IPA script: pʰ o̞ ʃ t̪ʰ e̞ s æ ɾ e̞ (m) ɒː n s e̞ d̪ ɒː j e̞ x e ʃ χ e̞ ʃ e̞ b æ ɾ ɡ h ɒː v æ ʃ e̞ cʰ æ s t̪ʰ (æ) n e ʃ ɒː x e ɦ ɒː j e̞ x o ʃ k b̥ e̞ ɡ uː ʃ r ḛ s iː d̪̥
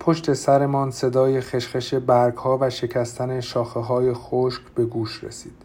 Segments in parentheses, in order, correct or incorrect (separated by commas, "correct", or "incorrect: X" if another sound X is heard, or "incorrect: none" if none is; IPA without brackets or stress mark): correct, correct